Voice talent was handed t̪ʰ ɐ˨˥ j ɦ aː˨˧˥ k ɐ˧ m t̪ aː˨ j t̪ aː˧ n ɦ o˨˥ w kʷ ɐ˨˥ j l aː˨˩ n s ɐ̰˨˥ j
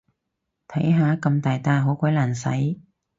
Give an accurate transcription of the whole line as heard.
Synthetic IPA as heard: t̪ʰ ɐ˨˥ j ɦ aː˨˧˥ k ɐ˧ m t̪ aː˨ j t̪ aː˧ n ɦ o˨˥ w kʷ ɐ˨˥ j l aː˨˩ n s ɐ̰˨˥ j